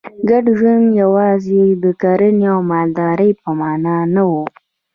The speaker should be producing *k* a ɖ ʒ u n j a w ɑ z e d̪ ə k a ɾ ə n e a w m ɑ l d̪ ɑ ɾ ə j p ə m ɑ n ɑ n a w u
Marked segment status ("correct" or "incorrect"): incorrect